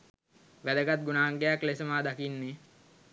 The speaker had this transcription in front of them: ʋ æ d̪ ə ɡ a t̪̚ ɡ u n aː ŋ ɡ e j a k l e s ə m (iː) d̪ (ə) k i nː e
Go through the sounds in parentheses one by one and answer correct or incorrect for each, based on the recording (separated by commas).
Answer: incorrect, incorrect